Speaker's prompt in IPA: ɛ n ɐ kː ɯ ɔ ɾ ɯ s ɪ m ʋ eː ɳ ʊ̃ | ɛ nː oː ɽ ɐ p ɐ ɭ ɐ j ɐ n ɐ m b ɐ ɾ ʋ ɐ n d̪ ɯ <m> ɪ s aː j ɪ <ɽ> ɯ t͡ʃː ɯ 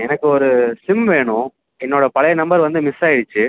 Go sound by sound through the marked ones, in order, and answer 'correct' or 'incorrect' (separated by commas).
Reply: correct, correct